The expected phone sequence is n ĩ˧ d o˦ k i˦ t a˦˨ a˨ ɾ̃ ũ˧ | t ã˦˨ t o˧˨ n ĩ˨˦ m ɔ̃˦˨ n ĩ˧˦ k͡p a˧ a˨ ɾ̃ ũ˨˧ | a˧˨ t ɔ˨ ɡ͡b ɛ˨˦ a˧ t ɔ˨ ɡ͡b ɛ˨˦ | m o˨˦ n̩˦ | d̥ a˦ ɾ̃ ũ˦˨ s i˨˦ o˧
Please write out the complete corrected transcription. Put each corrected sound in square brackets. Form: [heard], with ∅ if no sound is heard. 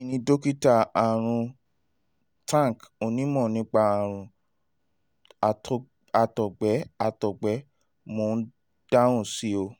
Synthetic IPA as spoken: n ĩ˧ d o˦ k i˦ t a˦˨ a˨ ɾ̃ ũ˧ | t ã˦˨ [k] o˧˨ n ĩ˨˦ m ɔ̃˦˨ n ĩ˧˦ k͡p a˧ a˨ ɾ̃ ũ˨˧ | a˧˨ t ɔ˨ ɡ͡b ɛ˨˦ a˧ t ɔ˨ ɡ͡b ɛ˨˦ | m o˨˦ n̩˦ | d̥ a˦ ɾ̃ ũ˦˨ s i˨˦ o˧